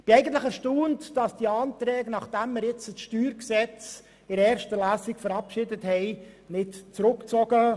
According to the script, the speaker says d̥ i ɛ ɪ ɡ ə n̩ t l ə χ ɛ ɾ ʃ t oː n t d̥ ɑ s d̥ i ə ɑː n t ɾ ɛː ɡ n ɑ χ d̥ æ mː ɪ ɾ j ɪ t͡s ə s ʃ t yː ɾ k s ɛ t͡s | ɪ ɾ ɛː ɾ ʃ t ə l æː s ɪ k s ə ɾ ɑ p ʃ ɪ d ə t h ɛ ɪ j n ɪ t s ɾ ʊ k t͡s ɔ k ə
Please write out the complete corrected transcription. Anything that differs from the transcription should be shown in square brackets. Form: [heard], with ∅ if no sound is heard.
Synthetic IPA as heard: [b̥] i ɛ ɪ ɡ ə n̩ t l ə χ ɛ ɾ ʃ t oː n t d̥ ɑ s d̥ i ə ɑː n t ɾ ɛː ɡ n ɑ χ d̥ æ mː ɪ ɾ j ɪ t͡s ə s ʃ t yː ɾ k s ɛ t͡s | ɪ ɾ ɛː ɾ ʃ t ə l æː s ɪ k [f] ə ɾ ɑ p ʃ ɪ d ə t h ɛ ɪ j n ɪ t [t͡s] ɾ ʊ k t͡s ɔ [ɡ] ə